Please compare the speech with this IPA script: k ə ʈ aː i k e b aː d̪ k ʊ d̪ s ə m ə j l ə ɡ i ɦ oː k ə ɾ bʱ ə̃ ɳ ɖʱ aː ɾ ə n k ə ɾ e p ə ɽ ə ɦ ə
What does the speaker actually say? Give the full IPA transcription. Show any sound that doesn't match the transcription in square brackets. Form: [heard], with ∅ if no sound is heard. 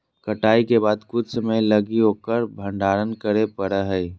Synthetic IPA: k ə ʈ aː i k e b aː d̪ k ʊ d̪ s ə m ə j l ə ɡ i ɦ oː k ə ɾ bʱ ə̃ ɳ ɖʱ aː ɾ ə n k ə ɾ e p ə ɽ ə ɦ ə